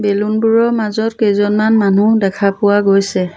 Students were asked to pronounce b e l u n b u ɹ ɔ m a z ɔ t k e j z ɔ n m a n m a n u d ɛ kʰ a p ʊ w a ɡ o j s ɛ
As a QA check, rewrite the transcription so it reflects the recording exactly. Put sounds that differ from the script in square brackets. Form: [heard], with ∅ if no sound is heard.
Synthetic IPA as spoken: b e l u n b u ɹ ɔ m a z ɔ t k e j z ɔ n m a n m a n u d ɛ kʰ a p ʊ w a ɡ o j s ɛ